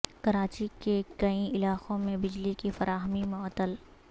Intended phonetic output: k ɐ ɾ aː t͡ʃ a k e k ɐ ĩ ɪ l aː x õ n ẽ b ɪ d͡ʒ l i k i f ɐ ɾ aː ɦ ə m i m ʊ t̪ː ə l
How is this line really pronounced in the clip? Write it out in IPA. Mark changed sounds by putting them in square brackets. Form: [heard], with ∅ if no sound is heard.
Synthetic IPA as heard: k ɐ ɾ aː t͡ʃ [i] k e k ɐ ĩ ɪ l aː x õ [m] ẽ b ɪ d͡ʒ l i k i f ɐ ɾ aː ɦ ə m i m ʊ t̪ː ə l